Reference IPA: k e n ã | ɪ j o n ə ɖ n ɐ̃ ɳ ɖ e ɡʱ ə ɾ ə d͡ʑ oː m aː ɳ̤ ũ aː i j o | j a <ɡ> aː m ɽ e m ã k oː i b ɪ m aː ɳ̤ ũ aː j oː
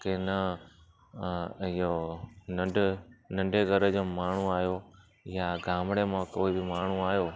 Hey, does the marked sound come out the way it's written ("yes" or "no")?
yes